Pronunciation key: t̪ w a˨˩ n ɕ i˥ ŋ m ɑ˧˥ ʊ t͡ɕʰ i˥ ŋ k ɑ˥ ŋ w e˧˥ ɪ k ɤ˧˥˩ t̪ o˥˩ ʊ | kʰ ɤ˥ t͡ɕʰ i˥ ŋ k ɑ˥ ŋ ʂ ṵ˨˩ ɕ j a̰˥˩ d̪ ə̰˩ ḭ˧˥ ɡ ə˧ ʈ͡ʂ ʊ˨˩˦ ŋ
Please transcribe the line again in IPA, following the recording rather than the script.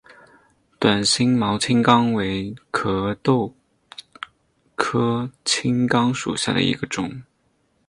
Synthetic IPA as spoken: t̪ w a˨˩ n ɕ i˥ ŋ m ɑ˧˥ ʊ t͡ɕʰ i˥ ŋ k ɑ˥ ŋ w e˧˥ ɪ kʰ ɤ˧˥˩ t̪ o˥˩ ʊ | kʰ ɤ˥ t͡ɕʰ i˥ ŋ k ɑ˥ ŋ ʂ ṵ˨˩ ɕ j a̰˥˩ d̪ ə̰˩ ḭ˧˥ ɡ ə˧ ʈ͡ʂ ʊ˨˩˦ ŋ

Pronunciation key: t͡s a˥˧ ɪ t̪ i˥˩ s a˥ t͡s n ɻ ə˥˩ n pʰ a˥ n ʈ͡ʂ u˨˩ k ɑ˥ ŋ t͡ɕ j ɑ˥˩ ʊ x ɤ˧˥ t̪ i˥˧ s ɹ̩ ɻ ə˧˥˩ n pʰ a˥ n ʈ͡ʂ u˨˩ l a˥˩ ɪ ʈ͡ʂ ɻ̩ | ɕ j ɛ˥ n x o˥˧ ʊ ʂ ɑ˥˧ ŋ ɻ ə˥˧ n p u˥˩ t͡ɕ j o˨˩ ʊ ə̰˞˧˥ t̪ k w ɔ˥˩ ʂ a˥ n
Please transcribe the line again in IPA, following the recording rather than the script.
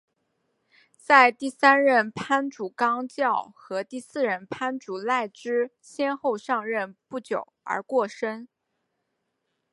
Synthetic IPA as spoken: t͡s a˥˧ ɪ t̪ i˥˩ s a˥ n ɻ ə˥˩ n pʰ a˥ n ʈ͡ʂ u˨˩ k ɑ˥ ŋ t͡ɕ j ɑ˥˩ ʊ x ɤ˧˥ t̪ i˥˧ s ɹ̩ ɻ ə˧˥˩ n pʰ a˥ n ʈ͡ʂ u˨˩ l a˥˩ ɪ ʈ͡ʂ ɻ̩ | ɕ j ɛ˥ n x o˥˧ ʊ ʂ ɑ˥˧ ŋ ɻ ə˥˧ n p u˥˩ t͡ɕ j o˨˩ ʊ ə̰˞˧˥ k w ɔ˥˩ ʂ ə˥ n

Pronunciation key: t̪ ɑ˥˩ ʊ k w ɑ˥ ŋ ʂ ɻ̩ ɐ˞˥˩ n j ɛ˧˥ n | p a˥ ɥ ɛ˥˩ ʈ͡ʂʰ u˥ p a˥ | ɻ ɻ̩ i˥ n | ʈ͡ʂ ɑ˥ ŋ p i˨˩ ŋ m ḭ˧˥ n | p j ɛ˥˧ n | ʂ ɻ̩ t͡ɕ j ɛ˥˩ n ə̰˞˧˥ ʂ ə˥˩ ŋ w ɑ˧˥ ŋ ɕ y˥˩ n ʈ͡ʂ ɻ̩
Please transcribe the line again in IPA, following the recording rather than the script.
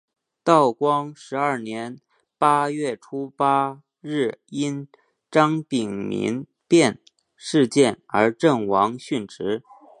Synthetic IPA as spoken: t̪ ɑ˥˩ ʊ k w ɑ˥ ŋ ʂ ɻ̩ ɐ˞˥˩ n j ɛ˧˥ n | p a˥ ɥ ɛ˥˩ ʈ͡ʂʰ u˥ p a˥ | ɻ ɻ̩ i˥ n | ʈ͡ʂ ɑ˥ ŋ p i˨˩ ŋ m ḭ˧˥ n | p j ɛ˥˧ n | ʂ ɻ̩ t͡ɕ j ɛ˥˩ n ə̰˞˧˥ ʈ͡ʂ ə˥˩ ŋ w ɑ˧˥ ŋ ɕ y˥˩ n ʈ͡ʂ ɻ̩

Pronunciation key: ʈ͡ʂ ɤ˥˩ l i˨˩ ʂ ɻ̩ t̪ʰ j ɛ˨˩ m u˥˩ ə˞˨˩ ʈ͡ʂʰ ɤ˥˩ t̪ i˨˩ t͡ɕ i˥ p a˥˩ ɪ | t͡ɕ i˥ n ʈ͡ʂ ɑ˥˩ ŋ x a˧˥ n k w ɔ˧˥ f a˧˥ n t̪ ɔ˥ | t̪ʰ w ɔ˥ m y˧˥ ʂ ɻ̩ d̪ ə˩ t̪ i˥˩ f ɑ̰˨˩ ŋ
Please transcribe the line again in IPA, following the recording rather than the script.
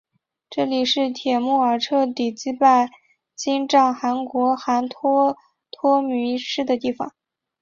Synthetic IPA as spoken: ʈ͡ʂ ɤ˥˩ l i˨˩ ʂ ɻ̩ t̪ʰ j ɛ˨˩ m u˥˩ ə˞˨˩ ʈ͡ʂʰ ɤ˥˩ t̪ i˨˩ t͡ɕ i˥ p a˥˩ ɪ | t͡ɕ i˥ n ʈ͡ʂ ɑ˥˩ ŋ x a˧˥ n k w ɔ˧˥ x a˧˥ n t̪ʰ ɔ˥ | t̪ʰ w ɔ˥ m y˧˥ ʂ ɻ̩ d̪ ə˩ t̪ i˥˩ f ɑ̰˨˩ ŋ

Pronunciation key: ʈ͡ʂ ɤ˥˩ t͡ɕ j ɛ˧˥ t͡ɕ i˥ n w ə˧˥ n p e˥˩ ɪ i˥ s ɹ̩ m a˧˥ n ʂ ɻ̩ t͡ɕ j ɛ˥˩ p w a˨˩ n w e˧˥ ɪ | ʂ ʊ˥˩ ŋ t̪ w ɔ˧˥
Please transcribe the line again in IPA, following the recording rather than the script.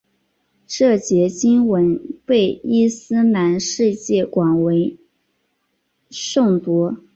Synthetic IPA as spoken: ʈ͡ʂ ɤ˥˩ t͡ɕ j ɛ˧˥ t͡ɕ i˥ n w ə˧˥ n p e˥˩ ɪ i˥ s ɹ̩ n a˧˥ n ʂ ɻ̩ t͡ɕ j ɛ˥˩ k w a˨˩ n w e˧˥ ɪ | ʂ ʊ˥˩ ŋ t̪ w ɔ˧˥

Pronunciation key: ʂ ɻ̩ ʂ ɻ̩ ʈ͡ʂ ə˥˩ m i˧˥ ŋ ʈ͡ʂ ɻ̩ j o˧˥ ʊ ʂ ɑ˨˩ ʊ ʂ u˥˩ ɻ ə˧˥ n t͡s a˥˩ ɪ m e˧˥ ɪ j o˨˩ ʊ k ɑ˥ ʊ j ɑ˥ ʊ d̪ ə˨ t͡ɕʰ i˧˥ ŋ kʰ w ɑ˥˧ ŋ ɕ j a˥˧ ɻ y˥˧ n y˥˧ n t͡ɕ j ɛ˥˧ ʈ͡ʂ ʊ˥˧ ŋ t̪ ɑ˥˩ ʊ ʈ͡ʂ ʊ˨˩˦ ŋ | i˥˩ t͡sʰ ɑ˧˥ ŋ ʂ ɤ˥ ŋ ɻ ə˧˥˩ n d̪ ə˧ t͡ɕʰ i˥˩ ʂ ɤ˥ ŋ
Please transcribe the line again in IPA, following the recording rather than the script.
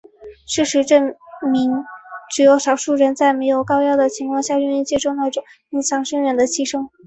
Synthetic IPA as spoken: ʂ ɻ̩ ʂ ɻ̩ ʈ͡ʂ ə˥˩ m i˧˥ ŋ ʈ͡ʂ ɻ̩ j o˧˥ ʊ ʂ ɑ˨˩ ʊ ʂ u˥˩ ɻ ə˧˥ n t͡s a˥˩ ɪ m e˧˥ ɪ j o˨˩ ʊ k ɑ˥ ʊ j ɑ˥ ʊ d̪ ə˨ t͡ɕʰ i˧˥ ŋ kʰ w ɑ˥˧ ŋ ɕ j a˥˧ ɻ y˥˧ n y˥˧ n t͡ɕ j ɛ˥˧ ʈ͡ʂ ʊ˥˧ ŋ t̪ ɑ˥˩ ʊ ʈ͡ʂ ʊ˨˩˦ ŋ | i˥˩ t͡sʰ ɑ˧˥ ŋ ʂ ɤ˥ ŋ ɻ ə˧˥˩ n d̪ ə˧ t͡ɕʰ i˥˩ ʂ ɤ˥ ŋ

